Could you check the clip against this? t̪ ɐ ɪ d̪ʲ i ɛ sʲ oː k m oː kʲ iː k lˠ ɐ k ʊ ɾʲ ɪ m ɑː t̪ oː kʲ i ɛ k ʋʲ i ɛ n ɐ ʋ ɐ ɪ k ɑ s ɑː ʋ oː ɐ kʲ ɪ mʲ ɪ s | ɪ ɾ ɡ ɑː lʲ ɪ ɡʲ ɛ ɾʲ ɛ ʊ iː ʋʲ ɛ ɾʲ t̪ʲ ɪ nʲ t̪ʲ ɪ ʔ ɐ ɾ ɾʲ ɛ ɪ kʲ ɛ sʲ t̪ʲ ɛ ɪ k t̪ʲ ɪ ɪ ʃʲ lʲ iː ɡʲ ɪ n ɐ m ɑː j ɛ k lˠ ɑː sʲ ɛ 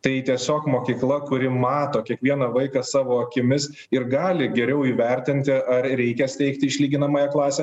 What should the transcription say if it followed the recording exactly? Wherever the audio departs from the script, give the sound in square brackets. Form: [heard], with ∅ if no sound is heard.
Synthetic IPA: t̪ ɐ ɪ [t̪ʲ] i ɛ sʲ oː k m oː kʲ iː k lˠ ɐ k ʊ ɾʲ ɪ m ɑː t̪ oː kʲ i ɛ k ʋʲ i ɛ n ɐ ʋ ɐ ɪ k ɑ s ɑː ʋ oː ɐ kʲ ɪ mʲ ɪ s | ɪ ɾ ɡ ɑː lʲ ɪ ɡʲ ɛ ɾʲ ɛ ʊ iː ʋʲ ɛ ɾʲ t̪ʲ ɪ nʲ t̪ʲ ɪ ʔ ɐ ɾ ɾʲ ɛ ɪ kʲ ɛ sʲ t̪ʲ ɛ ɪ k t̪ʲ ɪ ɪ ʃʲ lʲ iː ɡʲ ɪ n ɐ m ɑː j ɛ k lˠ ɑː sʲ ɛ